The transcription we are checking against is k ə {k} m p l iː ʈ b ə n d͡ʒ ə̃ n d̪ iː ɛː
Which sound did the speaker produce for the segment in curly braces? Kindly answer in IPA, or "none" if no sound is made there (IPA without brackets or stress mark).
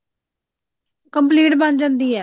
none